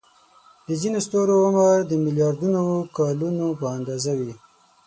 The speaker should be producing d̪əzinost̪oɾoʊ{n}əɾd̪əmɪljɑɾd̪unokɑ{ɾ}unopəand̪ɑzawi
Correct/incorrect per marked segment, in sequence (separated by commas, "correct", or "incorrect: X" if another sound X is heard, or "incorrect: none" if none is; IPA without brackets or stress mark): incorrect: m, incorrect: l